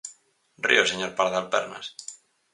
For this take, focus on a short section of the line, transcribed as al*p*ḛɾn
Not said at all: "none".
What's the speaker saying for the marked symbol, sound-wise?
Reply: p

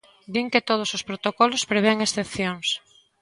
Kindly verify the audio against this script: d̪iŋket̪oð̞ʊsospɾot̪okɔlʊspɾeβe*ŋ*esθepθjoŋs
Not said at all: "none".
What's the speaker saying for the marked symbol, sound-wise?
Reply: ŋ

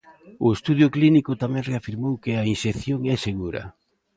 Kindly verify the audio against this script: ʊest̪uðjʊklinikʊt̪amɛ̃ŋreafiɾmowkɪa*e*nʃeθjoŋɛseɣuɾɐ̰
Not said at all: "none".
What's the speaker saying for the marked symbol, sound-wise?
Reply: i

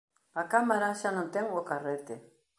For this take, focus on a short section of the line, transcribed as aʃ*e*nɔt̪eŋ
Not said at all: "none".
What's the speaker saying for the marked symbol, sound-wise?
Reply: a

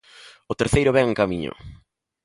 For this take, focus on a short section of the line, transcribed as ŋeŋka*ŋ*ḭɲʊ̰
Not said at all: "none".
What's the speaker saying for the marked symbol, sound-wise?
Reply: m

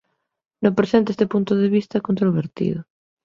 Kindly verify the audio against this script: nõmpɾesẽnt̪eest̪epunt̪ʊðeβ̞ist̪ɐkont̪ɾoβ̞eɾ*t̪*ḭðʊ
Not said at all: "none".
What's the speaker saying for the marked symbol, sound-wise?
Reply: t̪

